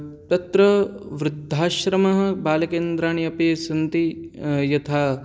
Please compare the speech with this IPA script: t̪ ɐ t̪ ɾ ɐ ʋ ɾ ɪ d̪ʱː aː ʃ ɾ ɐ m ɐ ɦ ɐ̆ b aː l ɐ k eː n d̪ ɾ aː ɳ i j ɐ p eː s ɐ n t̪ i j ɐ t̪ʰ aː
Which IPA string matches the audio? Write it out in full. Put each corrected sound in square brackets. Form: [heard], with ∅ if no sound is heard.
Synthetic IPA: t̪ ɐ t̪ ɾ ɐ ʋ ɾ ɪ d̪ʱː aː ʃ ɾ ɐ m ɐ ɦ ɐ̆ b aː l ɐ k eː n d̪ ɾ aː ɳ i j ɐ p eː s ɐ n t̪ i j ɐ t̪ʰ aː